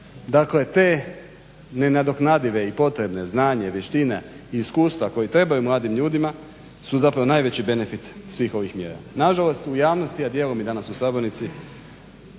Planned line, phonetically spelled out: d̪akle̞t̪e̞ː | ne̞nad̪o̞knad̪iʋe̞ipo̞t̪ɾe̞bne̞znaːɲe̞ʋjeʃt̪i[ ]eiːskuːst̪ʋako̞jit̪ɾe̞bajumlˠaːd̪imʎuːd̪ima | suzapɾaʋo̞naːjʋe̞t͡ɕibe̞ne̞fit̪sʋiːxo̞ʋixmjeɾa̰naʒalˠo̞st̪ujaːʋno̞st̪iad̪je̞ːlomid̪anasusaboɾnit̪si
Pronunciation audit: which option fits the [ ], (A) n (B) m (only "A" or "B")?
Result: A